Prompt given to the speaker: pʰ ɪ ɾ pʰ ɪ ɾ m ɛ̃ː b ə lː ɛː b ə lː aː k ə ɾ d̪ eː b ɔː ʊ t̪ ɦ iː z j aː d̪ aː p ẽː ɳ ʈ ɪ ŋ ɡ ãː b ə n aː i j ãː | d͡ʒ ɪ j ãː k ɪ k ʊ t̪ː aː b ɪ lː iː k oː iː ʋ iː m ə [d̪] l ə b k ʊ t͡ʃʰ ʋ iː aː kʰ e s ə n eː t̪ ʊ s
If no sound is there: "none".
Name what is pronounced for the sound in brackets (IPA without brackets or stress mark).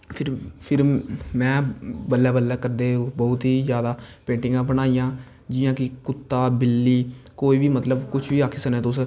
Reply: t̪